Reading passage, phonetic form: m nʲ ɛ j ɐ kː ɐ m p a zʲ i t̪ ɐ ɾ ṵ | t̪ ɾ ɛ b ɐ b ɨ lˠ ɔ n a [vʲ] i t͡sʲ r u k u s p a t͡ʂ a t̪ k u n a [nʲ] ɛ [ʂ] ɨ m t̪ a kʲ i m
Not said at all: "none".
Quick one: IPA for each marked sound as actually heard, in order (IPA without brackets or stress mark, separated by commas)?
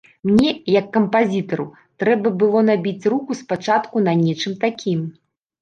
bʲ, nʲ, t͡ʂ